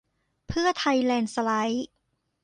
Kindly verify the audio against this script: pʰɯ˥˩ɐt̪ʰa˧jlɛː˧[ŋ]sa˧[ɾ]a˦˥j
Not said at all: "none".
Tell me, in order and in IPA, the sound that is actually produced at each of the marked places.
n, l

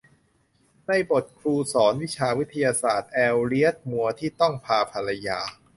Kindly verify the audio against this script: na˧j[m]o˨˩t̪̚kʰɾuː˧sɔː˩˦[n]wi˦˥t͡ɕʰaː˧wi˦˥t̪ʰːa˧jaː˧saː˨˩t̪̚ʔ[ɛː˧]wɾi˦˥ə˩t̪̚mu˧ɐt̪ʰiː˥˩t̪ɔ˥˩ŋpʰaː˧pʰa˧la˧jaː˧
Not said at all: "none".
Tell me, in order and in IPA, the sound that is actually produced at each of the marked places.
b, n, ɛː˧

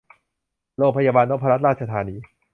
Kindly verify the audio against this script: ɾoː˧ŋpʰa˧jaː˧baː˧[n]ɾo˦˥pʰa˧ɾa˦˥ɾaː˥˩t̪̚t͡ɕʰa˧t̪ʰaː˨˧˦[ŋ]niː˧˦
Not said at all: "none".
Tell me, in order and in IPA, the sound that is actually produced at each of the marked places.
n, none

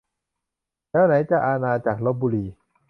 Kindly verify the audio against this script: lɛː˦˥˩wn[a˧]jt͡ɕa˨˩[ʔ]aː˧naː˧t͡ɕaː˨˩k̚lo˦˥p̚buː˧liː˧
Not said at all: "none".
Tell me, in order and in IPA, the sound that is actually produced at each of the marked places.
a˩˨˦, ʔ

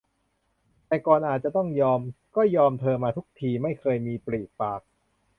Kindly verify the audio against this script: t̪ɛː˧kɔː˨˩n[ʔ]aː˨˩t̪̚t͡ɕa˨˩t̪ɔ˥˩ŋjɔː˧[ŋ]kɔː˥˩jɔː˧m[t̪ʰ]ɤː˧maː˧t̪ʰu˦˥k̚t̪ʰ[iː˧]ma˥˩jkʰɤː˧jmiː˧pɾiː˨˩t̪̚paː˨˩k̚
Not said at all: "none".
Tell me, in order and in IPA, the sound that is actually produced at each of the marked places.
ʔ, m, t̪ʰ, iː˧

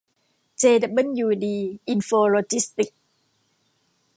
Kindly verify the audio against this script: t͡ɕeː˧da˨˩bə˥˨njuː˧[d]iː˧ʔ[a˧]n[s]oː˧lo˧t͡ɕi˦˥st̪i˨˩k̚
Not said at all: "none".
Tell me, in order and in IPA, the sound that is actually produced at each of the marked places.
d, i˧, f

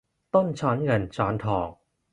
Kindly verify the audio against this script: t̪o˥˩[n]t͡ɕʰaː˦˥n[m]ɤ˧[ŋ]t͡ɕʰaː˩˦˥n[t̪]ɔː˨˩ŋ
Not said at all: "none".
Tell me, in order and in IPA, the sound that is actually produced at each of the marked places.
n, ŋ, n, t̪ʰ

